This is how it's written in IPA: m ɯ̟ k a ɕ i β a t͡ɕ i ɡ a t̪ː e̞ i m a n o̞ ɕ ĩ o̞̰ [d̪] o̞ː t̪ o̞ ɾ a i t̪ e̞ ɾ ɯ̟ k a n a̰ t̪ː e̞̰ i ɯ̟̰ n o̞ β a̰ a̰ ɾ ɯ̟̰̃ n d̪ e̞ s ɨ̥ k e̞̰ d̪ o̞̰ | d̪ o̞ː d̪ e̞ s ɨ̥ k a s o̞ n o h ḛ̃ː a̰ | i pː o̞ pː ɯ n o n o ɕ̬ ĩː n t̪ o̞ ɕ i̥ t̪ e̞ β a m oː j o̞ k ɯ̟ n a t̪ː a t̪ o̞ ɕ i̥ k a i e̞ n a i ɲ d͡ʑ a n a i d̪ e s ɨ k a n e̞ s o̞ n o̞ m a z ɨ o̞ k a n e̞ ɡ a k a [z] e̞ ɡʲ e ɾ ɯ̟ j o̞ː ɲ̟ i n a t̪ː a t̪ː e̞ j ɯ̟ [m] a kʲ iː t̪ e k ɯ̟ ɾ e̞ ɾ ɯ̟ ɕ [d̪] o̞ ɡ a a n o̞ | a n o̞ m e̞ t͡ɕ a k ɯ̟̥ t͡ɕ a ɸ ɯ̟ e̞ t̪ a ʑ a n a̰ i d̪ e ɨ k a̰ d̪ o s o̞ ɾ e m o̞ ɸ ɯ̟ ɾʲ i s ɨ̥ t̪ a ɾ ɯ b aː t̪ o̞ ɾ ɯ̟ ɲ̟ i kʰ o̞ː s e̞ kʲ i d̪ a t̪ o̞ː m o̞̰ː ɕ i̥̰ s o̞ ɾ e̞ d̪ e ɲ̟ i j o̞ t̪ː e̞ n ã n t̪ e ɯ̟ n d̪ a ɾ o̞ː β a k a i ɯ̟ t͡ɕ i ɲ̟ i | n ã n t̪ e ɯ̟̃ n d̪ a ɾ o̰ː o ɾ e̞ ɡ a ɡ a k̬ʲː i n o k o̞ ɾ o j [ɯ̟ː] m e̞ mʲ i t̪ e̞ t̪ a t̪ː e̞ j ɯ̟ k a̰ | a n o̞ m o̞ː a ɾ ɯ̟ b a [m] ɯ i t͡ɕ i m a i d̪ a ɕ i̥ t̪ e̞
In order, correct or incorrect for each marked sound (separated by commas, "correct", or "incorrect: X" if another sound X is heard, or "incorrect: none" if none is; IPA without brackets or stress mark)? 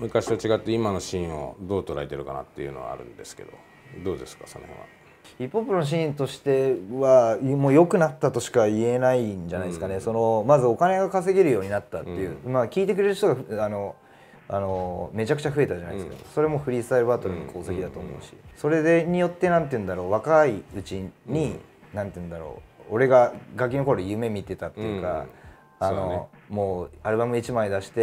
correct, incorrect: s, correct, incorrect: t̪, incorrect: ɯ̟, correct